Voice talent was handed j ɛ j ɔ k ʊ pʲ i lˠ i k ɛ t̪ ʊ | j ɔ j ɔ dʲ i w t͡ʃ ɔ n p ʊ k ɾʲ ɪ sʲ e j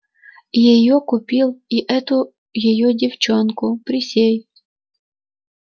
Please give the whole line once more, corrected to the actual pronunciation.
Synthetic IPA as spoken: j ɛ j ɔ k ʊ pʲ i lˠ i ʔ ɛ t̪ ʊ | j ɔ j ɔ dʲ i w t͡ʃ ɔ n k ʊ p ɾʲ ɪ sʲ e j